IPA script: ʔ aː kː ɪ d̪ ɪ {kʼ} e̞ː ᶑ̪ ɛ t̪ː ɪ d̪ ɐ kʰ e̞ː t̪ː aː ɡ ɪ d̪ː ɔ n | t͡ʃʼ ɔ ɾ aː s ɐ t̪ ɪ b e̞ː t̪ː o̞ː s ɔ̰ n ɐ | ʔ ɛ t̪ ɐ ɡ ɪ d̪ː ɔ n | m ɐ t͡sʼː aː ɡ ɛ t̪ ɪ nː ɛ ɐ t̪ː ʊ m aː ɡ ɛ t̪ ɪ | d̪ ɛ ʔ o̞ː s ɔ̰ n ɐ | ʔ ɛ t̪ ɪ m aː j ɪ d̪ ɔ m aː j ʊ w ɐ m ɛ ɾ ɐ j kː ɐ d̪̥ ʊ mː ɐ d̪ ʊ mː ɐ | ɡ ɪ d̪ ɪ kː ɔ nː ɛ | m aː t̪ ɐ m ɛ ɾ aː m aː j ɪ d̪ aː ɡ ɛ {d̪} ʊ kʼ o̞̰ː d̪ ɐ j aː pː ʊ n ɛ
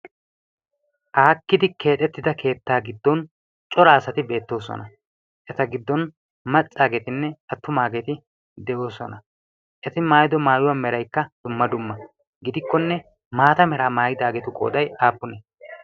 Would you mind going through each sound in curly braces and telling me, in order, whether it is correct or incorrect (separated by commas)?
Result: incorrect, incorrect